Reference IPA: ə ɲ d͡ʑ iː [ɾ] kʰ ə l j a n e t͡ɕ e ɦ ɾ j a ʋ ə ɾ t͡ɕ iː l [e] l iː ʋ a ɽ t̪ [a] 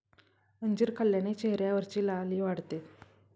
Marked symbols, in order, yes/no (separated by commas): yes, no, no